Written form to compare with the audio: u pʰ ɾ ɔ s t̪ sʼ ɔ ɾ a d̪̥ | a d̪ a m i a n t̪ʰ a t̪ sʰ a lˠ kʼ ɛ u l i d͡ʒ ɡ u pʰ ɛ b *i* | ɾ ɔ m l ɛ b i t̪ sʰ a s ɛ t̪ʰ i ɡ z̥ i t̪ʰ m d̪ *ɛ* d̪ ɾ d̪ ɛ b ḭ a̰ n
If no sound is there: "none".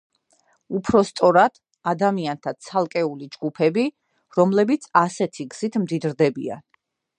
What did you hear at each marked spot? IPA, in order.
i, i

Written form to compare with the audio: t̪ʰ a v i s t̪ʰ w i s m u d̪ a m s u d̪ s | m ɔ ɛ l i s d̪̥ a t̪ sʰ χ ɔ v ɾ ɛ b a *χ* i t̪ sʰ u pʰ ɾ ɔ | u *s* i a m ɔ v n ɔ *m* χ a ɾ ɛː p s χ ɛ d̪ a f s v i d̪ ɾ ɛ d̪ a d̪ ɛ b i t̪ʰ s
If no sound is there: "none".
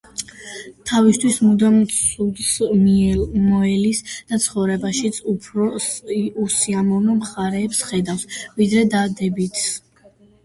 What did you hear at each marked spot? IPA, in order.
ʃ, s, m

